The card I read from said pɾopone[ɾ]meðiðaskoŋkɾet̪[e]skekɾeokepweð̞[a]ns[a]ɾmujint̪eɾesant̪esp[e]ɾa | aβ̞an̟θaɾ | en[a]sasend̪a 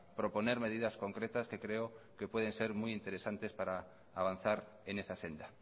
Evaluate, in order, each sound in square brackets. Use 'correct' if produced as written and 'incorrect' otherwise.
correct, incorrect: a, incorrect: e, incorrect: e, incorrect: a, incorrect: e

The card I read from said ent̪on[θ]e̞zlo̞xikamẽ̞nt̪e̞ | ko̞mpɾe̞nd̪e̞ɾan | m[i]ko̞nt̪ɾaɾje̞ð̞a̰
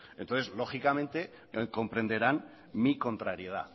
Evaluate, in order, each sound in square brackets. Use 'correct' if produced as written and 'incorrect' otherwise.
correct, correct

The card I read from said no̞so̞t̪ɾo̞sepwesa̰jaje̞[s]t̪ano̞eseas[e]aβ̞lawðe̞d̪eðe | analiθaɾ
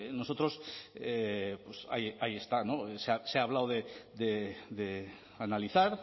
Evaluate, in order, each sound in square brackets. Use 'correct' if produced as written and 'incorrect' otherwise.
correct, correct

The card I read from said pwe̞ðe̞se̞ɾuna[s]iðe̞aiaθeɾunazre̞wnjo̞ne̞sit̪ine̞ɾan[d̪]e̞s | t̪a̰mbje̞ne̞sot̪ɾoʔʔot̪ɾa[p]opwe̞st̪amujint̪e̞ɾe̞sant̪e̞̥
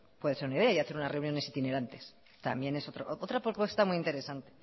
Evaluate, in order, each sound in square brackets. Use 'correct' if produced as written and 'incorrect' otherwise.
incorrect: none, incorrect: t̪, correct

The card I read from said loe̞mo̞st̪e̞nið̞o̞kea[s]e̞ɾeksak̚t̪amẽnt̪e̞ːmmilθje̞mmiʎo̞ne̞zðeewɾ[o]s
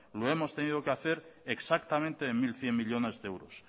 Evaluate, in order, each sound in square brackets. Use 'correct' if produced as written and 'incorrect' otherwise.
incorrect: θ, correct

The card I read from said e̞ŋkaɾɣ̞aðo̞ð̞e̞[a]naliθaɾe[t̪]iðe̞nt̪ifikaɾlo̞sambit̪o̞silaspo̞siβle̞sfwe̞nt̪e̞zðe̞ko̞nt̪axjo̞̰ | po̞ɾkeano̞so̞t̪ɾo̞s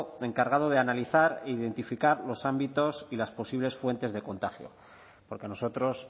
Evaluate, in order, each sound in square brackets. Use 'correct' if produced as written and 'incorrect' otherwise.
correct, incorrect: none

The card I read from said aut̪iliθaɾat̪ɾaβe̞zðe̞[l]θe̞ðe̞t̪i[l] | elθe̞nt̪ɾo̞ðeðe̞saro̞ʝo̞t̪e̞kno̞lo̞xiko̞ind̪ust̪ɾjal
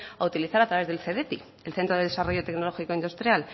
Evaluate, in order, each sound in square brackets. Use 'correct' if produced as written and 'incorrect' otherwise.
correct, incorrect: none

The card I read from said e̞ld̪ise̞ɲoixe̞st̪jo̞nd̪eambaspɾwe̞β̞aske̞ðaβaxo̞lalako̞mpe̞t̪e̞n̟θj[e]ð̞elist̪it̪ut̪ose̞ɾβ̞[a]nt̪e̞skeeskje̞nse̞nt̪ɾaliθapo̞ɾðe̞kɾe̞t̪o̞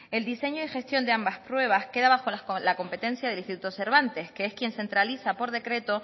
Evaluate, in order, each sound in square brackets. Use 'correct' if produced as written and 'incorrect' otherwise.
incorrect: a, correct

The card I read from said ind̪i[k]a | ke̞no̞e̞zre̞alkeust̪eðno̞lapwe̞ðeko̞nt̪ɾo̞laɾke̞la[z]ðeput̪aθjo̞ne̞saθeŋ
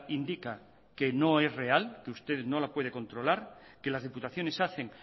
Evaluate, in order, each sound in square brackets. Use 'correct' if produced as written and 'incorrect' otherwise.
correct, correct

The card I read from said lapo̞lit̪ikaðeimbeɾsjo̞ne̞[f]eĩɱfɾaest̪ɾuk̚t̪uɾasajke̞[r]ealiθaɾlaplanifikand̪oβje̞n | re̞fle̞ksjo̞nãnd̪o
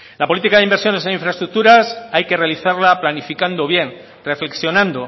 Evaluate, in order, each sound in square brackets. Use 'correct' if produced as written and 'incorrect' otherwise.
incorrect: s, correct

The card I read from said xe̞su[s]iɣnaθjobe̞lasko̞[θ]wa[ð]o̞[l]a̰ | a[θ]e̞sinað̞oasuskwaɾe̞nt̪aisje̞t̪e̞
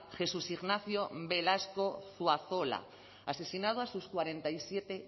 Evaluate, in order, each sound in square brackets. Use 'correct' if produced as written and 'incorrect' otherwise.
correct, correct, incorrect: θ, correct, incorrect: s

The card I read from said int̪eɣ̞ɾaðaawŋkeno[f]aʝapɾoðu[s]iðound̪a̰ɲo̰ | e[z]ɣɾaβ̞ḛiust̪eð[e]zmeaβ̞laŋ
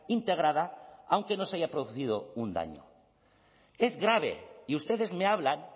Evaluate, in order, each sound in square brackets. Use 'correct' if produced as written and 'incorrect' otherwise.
incorrect: s, incorrect: θ, correct, correct

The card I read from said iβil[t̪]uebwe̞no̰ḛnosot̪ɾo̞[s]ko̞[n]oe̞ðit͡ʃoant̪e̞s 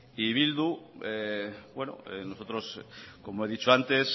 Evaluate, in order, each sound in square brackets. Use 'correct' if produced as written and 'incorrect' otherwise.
incorrect: d̪, correct, incorrect: m

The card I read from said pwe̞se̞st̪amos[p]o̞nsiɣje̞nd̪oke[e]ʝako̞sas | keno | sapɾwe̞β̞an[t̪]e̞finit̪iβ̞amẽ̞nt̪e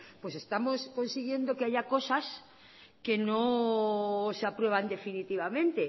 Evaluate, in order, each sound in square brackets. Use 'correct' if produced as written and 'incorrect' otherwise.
incorrect: k, incorrect: a, incorrect: d̪

